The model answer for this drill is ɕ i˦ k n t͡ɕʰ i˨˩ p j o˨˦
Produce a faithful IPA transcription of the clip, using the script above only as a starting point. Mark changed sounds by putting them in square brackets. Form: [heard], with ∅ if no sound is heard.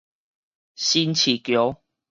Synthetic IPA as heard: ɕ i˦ [∅] n t͡ɕʰ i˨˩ [k] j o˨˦